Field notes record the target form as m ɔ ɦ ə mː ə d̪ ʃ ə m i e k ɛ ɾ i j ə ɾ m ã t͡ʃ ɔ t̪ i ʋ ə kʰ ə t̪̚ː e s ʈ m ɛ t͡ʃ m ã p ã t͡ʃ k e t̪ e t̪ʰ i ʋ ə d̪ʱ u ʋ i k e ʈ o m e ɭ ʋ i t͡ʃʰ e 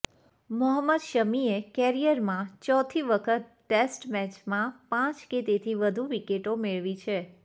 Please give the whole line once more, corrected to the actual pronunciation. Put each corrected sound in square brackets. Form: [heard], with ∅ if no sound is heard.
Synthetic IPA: m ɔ ɦ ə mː ə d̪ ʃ ə m i e k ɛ ɾ i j ə ɾ m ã t͡ʃ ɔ [t̪ʰ] i ʋ ə kʰ ə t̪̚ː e s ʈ m ɛ t͡ʃ m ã p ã t͡ʃ k e t̪ e t̪ʰ i ʋ ə d̪ʱ u ʋ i k e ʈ o m e ɭ ʋ i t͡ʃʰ e